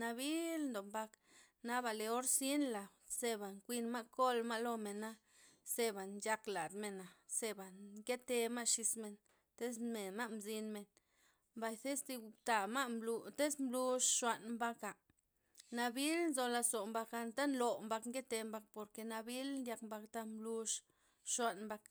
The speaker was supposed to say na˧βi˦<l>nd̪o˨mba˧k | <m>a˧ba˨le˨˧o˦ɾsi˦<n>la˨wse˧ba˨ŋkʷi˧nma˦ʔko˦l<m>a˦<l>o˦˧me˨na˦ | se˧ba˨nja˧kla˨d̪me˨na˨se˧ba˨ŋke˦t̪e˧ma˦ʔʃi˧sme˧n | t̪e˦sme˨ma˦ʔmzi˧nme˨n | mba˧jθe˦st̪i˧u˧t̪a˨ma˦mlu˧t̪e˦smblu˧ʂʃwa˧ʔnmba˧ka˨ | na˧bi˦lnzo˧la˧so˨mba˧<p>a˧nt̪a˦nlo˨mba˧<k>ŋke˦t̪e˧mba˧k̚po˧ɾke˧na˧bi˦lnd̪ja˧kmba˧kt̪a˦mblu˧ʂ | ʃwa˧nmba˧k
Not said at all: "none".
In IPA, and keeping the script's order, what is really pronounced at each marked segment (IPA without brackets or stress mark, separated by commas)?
l, n, n, m, l, k, k